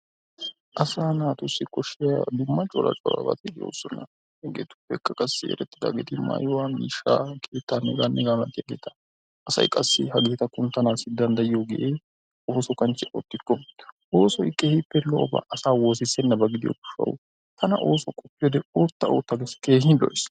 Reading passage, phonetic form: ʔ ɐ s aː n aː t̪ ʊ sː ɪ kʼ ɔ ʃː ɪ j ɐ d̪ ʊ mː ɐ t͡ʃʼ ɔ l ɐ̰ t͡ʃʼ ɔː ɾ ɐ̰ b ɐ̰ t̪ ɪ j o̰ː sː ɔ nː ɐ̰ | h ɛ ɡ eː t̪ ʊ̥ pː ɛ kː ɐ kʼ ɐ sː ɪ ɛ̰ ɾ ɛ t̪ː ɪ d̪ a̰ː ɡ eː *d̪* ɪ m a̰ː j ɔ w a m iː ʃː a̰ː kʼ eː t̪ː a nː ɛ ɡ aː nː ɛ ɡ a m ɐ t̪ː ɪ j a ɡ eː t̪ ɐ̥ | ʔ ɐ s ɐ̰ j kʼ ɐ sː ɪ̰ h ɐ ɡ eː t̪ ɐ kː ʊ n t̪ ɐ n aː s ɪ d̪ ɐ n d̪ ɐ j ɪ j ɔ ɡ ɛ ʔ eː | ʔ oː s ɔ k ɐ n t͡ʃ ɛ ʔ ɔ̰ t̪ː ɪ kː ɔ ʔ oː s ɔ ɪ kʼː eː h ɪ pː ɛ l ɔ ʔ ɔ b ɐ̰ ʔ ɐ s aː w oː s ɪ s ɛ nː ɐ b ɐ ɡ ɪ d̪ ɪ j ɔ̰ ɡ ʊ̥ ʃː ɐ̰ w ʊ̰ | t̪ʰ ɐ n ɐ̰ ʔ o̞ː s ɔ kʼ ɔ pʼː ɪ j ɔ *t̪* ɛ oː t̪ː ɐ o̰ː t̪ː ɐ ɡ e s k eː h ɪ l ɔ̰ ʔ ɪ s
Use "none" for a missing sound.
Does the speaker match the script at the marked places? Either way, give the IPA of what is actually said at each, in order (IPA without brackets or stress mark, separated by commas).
t̪, d̪